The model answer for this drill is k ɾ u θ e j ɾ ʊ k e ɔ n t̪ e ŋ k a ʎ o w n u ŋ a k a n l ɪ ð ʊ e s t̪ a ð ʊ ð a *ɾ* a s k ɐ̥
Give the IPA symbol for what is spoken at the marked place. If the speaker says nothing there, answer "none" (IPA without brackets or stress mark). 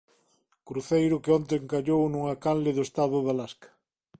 l